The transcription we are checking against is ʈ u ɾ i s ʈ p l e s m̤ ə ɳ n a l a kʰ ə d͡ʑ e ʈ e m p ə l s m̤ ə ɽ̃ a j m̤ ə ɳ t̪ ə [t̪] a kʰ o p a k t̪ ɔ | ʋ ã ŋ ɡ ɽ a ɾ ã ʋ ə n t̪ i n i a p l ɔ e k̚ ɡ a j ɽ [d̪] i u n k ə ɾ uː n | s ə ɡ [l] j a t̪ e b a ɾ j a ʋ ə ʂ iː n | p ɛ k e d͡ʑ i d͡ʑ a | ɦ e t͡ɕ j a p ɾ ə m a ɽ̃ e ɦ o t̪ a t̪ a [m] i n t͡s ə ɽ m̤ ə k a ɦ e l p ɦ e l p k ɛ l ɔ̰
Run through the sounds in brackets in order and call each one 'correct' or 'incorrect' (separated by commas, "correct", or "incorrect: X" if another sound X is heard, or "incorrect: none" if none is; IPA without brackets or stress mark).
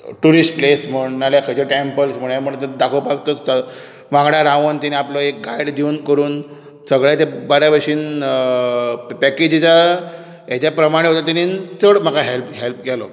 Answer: incorrect: d̪, correct, incorrect: ɭ, incorrect: n